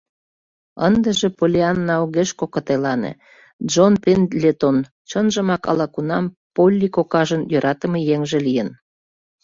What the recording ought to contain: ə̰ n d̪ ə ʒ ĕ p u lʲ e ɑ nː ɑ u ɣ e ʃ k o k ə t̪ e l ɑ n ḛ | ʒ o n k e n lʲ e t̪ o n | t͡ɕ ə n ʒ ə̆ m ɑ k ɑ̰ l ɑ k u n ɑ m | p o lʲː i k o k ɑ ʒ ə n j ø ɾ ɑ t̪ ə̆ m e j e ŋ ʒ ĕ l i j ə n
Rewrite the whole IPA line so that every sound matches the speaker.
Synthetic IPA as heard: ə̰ n d̪ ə ʒ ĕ p o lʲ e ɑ nː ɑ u ɣ e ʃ k o k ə t̪ e l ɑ n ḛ | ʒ o n p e n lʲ e t̪ o n | t͡ɕ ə n ʒ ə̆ m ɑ k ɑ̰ l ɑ k u n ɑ m | p o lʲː i k o k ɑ ʒ ə n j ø ɾ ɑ t̪ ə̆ m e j e ŋ ʒ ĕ l i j ə n